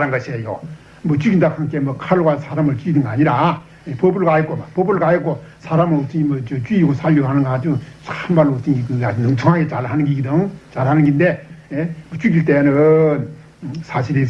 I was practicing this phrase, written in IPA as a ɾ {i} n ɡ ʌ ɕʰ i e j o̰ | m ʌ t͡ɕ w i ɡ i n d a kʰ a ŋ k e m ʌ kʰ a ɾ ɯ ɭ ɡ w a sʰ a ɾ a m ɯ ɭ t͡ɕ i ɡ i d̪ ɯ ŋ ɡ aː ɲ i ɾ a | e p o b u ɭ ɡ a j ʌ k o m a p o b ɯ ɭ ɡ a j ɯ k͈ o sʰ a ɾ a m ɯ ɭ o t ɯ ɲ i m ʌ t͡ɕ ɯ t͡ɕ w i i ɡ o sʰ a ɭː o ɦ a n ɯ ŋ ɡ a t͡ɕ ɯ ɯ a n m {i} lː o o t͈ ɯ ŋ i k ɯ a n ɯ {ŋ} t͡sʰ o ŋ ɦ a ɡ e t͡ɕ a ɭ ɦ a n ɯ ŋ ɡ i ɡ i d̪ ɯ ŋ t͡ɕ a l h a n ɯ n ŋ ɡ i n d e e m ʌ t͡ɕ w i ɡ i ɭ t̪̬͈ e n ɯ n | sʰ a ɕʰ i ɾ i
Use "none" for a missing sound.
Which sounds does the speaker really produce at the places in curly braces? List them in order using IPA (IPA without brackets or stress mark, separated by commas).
a, a, ŋ